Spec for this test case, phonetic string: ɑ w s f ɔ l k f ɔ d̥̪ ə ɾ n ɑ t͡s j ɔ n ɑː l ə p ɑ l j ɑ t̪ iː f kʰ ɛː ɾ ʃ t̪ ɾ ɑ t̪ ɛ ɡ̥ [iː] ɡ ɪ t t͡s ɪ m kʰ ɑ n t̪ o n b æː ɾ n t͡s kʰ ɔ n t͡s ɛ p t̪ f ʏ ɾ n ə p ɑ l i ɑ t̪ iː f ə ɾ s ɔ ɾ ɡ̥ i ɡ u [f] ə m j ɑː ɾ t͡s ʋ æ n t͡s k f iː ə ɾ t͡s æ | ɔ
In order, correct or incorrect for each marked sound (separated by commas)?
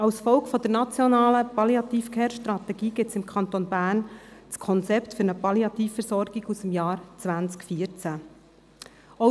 correct, incorrect